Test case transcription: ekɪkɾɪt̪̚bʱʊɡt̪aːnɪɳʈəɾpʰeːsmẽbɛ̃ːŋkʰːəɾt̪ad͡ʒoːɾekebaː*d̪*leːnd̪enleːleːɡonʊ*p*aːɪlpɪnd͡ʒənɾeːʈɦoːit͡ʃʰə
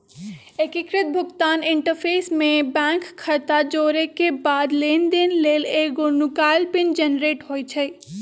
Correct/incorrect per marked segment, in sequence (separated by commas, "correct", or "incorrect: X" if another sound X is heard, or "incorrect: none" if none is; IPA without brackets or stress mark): correct, incorrect: k